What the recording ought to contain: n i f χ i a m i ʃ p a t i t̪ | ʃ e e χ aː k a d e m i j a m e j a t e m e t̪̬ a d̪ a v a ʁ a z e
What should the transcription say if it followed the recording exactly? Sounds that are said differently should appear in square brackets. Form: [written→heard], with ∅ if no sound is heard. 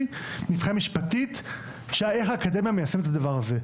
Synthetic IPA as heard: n i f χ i a m i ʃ p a t i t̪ | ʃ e e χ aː k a d e m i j a m e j a [t→s] e m e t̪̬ a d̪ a v a ʁ a z e